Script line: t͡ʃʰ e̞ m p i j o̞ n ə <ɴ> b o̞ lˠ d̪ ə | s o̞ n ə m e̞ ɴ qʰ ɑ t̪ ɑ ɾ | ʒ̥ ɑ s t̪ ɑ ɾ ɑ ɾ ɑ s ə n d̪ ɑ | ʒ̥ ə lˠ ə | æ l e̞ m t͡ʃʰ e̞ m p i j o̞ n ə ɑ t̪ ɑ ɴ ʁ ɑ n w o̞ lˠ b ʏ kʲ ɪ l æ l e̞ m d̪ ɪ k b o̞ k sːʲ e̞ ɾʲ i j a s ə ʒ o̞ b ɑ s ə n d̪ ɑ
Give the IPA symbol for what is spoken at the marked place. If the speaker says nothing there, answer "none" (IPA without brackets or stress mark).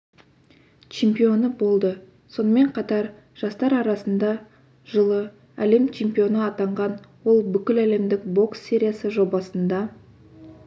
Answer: none